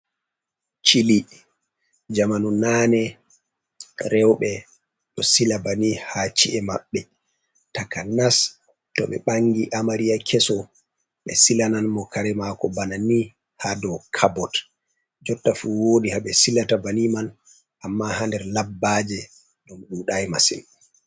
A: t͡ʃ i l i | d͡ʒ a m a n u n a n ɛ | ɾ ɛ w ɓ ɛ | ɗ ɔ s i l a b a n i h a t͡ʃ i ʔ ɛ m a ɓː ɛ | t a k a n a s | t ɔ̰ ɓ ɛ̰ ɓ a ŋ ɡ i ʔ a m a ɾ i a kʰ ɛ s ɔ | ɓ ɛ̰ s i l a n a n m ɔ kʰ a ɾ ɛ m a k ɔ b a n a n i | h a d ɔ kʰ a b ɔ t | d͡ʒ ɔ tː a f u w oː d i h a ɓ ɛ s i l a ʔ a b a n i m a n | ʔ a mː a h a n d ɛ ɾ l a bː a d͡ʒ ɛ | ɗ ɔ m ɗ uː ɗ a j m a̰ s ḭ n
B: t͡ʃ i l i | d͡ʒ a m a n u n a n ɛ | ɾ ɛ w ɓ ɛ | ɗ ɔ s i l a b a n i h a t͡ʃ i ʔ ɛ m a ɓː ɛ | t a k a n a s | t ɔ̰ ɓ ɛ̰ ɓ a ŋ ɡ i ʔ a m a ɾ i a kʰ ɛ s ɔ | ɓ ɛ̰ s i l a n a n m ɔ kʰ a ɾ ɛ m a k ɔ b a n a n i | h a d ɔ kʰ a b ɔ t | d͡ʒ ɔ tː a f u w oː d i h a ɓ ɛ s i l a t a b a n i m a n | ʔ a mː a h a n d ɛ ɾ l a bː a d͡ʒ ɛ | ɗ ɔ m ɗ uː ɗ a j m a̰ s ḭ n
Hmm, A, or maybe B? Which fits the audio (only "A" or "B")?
B